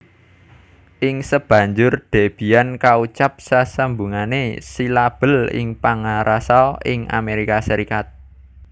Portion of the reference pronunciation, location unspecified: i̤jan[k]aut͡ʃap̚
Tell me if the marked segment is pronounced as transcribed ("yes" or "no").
yes